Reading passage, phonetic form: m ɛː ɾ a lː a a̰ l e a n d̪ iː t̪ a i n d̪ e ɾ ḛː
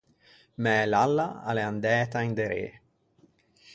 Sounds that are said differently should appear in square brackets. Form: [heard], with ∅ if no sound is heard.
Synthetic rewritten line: m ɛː [l] a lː a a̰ l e a n d̪ [ɛː] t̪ a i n d̪ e ɾ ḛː